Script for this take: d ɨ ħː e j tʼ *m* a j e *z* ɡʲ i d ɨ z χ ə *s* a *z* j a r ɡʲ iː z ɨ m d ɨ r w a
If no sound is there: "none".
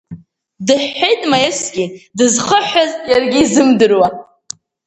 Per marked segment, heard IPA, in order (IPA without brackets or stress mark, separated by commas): m, s, ħ, z